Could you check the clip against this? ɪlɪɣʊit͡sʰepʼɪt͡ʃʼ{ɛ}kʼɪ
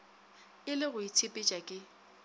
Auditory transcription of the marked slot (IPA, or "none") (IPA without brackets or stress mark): a